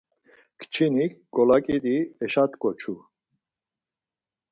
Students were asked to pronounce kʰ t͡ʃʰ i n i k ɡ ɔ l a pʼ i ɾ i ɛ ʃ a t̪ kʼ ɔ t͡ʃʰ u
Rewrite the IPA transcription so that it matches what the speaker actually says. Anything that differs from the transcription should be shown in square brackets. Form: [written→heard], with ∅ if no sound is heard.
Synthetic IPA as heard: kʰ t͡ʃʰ i n i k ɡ ɔ l a [pʼ→kʼ] i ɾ i ɛ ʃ a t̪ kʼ ɔ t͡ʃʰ u